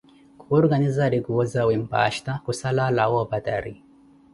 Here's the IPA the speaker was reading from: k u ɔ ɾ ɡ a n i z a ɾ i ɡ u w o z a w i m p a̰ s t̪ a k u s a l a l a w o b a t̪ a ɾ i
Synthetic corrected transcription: k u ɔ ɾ ɡ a n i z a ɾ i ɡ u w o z a w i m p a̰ ʃ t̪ a k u s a l a l a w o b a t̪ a ɾ i